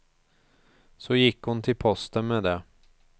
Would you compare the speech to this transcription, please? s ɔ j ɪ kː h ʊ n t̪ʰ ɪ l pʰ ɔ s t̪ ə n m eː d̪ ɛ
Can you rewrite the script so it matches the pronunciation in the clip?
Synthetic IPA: s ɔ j ɪ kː h ʊ n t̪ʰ ɪ l pʰ ɔ s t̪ ə n m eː d̪ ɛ